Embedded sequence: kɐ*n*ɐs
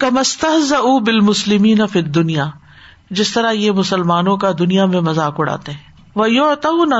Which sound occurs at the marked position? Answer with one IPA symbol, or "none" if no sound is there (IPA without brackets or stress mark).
m